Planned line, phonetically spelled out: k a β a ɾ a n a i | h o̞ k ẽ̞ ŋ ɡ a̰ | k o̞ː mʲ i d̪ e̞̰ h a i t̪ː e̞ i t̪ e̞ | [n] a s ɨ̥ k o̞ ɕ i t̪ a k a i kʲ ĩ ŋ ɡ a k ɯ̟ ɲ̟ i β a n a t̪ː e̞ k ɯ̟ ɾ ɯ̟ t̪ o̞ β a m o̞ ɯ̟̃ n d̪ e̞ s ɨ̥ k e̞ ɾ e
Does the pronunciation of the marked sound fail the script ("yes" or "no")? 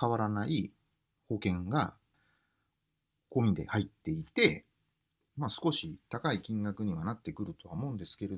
yes